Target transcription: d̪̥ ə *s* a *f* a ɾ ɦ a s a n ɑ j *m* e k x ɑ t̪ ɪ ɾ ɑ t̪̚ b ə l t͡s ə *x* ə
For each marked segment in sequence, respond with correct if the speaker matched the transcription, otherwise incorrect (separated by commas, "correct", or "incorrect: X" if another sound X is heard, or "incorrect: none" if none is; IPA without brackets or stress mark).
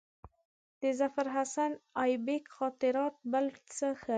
incorrect: z, correct, incorrect: b, correct